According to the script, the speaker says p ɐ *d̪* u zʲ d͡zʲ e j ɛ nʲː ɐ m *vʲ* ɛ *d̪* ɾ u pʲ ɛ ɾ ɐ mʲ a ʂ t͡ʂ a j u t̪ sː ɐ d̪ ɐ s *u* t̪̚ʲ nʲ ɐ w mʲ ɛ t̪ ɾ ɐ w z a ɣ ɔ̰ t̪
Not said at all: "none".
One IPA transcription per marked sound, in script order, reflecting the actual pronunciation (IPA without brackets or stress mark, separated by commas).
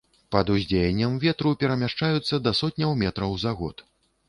d̪, vʲ, t̪, ɔ